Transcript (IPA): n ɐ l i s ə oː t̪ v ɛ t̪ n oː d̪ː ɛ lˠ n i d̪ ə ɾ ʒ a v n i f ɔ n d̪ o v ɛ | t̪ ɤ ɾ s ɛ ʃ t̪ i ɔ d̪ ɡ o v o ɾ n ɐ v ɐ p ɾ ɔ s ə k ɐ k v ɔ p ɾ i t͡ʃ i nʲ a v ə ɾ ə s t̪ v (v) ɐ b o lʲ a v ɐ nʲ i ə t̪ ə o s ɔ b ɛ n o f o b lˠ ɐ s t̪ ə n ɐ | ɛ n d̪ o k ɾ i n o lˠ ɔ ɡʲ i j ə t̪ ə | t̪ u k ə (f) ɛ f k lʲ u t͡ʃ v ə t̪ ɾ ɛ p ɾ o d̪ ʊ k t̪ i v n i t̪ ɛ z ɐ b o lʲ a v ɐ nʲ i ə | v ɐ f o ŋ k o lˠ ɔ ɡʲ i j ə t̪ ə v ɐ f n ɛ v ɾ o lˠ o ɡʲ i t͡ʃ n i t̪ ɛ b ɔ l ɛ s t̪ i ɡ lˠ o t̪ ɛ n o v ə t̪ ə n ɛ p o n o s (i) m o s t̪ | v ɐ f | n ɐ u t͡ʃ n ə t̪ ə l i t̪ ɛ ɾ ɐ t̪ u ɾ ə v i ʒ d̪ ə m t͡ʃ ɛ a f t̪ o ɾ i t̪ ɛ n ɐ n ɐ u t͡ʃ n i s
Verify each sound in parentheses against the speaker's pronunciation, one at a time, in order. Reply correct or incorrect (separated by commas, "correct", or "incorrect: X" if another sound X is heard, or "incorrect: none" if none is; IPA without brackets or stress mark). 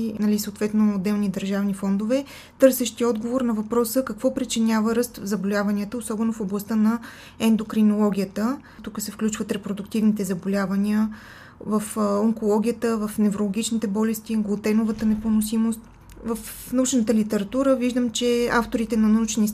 incorrect: z, incorrect: s, correct